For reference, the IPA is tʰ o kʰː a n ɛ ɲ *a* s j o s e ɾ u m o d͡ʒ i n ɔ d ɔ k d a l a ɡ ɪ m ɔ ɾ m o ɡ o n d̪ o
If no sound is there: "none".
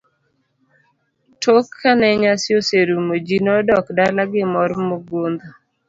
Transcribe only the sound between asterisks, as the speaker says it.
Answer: a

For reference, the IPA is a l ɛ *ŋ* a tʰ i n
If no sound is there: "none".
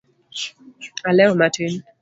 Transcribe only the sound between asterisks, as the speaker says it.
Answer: m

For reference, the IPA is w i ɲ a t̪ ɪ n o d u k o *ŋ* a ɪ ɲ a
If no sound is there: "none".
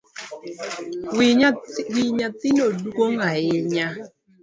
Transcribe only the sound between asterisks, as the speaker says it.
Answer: ŋ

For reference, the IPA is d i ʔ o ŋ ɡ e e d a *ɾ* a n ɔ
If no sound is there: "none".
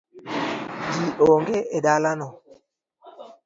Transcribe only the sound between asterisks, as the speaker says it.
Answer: l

